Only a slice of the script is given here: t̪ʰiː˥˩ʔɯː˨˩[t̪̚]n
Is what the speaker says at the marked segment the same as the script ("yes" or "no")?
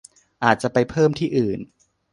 no